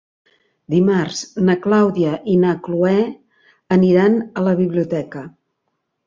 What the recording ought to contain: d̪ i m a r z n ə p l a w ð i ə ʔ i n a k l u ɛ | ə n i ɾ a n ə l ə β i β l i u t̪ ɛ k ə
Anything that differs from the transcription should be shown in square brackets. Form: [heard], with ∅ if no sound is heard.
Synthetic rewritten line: d̪ i m a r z n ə [k] l a w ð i ə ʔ i n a k l u ɛ | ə n i ɾ a n ə l ə β i β l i u t̪ ɛ k ə